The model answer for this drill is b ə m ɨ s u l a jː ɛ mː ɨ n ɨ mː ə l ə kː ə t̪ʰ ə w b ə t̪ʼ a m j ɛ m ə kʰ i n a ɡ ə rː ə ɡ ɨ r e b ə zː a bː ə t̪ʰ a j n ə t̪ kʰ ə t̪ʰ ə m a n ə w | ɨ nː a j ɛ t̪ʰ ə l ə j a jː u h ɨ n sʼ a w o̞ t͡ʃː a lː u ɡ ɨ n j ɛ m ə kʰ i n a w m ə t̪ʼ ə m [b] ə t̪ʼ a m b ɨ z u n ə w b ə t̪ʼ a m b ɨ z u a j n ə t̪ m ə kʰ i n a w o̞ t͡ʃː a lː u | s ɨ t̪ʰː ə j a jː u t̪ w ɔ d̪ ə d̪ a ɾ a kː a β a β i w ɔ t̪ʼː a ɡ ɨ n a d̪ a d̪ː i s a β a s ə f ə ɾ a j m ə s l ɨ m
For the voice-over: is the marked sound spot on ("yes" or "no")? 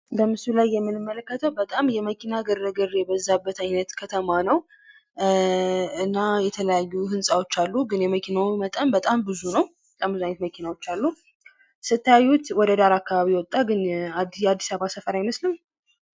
yes